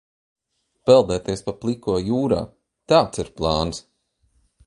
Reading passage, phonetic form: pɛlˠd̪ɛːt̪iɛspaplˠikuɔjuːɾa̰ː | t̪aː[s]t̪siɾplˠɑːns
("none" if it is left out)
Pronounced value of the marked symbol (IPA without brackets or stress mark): none